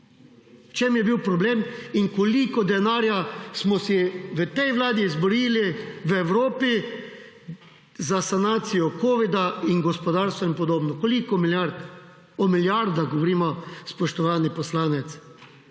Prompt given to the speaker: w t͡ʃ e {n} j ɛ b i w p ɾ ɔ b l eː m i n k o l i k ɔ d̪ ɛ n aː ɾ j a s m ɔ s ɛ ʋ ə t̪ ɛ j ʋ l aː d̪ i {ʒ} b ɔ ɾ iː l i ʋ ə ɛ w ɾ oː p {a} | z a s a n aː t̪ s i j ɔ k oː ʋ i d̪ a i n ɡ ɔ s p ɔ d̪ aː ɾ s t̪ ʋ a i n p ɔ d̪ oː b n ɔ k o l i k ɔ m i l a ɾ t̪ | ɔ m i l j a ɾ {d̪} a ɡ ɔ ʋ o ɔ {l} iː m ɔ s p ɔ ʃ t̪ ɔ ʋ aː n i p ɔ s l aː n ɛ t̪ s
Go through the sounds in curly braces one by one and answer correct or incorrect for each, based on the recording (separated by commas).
incorrect, incorrect, incorrect, correct, incorrect